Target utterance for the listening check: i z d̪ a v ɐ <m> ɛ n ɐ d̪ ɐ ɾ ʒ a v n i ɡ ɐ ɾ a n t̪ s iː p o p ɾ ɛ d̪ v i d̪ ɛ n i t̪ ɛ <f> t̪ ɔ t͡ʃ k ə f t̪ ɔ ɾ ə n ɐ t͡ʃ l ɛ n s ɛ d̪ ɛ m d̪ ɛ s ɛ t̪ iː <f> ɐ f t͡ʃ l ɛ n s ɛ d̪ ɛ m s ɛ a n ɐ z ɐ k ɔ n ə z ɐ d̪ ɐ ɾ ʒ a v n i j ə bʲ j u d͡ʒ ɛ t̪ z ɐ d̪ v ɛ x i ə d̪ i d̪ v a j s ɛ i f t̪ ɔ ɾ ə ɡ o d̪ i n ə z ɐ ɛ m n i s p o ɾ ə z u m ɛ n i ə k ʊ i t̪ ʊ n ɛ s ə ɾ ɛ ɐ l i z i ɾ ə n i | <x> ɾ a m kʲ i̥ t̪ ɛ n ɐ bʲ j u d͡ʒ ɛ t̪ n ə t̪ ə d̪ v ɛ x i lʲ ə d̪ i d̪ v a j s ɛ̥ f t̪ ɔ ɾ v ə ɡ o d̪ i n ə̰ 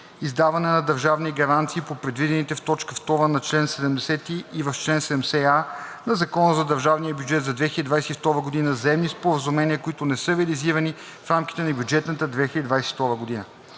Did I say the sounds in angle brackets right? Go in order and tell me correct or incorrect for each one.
incorrect, correct, incorrect, incorrect

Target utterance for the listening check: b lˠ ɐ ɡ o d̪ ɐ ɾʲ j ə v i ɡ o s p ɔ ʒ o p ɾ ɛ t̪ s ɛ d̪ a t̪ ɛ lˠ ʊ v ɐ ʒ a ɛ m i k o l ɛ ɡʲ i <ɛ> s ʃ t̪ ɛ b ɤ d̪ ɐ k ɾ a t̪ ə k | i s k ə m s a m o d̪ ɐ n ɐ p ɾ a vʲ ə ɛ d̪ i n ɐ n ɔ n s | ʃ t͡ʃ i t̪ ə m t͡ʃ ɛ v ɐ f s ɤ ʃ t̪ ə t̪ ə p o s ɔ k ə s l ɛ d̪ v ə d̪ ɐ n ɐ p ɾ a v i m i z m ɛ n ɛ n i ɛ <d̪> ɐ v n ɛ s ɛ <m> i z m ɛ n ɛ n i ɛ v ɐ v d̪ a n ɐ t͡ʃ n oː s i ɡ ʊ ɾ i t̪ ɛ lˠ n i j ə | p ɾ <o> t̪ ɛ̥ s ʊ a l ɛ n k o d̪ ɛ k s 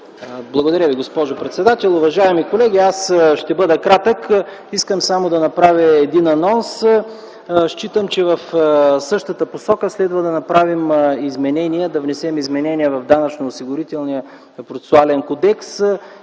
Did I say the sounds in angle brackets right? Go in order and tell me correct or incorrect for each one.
incorrect, correct, correct, correct

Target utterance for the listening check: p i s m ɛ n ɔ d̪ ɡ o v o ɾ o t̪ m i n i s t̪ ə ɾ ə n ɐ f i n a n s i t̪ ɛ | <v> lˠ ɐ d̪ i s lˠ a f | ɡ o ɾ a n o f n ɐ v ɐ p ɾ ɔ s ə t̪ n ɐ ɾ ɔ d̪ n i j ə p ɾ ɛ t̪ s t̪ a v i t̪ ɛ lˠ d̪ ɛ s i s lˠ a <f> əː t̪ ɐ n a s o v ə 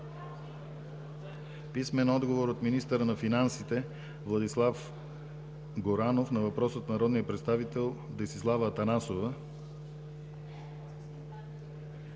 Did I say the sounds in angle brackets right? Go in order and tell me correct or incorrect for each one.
correct, incorrect

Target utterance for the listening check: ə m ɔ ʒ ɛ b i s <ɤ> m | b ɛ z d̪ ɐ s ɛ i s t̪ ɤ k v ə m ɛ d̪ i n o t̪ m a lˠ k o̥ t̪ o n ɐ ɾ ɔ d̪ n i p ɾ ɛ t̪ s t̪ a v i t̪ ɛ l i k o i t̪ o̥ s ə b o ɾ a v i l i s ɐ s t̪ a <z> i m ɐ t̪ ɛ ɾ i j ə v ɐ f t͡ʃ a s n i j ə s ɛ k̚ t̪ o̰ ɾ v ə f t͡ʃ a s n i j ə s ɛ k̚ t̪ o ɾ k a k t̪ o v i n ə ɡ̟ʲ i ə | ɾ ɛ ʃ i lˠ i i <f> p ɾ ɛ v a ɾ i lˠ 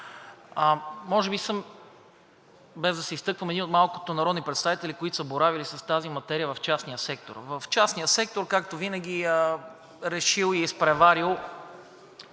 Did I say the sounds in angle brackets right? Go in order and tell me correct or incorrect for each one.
correct, correct, incorrect

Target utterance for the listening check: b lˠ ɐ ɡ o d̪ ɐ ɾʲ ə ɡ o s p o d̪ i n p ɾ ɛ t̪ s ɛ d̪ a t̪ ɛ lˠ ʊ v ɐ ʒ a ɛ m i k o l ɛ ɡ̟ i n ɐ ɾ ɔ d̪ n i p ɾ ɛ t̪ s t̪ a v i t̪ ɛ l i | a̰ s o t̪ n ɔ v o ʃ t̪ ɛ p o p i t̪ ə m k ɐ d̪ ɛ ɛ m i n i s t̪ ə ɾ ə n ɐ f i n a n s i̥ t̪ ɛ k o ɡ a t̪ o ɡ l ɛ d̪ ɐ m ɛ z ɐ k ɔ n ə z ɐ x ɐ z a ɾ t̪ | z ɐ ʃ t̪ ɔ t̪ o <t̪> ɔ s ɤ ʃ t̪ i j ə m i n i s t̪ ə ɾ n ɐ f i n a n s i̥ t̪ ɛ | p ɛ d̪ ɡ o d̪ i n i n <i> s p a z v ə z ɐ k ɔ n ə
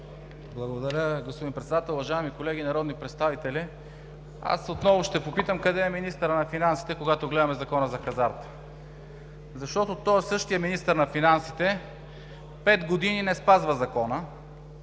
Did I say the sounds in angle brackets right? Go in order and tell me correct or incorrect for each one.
correct, incorrect

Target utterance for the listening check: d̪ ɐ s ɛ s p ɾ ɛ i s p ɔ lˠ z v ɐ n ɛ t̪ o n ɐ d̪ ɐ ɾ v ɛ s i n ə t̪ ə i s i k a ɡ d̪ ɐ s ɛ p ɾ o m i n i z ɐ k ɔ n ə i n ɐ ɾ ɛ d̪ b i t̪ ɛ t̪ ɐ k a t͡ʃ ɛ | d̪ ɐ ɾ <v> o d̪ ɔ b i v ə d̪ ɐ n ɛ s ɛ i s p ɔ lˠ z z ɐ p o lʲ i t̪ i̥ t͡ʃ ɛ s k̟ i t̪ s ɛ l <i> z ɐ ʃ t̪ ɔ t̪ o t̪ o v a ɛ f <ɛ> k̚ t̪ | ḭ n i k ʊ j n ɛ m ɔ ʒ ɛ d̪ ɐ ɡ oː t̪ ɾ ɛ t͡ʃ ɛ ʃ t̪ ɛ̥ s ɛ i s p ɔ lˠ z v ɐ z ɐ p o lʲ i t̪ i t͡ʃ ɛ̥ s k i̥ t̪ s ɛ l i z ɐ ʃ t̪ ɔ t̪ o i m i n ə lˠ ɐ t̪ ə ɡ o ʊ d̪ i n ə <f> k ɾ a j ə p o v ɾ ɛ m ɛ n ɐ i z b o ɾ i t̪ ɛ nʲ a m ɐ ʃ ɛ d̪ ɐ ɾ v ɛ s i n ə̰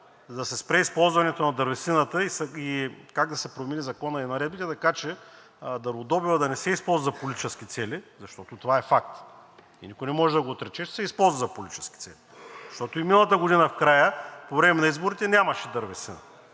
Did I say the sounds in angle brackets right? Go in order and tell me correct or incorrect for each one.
correct, correct, incorrect, correct

